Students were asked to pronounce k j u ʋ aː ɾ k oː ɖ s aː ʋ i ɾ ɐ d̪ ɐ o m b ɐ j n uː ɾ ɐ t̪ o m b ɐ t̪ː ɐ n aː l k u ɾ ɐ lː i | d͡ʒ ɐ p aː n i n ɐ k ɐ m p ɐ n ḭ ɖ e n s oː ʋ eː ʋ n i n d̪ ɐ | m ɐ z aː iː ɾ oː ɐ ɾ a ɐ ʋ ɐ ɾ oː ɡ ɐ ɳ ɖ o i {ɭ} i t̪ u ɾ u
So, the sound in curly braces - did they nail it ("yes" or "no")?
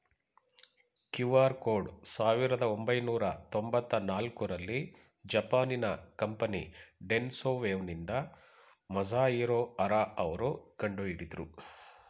no